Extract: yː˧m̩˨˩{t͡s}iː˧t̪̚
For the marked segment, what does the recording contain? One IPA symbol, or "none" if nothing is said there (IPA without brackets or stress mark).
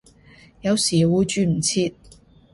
t͡sʰ